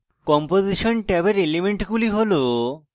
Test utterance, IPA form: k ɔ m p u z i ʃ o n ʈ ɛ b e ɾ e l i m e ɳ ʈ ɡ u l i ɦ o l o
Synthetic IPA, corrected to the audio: k ɔ m p o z i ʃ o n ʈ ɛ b e ɾ e l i m e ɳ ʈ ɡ u l i ɦ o l o